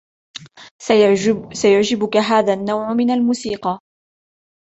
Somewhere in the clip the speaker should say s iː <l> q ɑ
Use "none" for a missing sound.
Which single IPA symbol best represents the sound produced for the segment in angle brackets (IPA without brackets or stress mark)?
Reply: none